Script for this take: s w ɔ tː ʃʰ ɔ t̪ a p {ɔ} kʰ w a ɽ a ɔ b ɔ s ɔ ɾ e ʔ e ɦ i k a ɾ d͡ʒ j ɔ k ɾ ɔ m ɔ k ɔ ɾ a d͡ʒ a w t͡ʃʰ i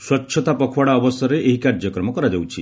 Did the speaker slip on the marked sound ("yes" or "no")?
no